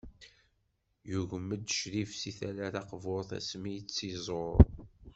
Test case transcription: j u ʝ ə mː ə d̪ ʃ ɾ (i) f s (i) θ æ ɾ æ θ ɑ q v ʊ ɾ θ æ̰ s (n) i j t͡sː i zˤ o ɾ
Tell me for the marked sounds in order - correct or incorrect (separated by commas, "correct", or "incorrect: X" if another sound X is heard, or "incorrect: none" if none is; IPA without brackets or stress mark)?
correct, correct, incorrect: m